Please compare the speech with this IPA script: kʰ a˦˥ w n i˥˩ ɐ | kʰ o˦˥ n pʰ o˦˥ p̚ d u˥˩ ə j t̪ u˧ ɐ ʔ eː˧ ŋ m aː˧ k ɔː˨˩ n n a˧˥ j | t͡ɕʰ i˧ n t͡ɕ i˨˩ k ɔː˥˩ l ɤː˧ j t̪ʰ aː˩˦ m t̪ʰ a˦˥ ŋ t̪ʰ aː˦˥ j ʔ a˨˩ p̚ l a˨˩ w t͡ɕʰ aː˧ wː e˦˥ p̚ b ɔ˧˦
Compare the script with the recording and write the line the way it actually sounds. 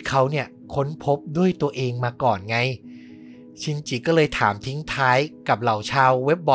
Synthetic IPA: kʰ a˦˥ w n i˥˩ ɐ | kʰ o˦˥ n pʰ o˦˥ p̚ d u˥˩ ə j t̪ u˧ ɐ ʔ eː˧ ŋ m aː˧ k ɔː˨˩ n ŋ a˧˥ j | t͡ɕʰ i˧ n t͡ɕ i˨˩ k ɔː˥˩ l ɤː˧ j t̪ʰ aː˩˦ m t̪ʰ i˦˥ ŋ t̪ʰ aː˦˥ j k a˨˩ p̚ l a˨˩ w t͡ɕʰ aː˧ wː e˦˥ p̚ b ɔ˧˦